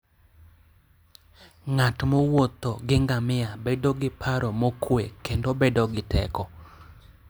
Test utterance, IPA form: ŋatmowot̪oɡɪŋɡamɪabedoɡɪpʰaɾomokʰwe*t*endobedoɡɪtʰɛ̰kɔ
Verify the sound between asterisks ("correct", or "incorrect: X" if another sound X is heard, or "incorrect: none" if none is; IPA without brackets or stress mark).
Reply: incorrect: k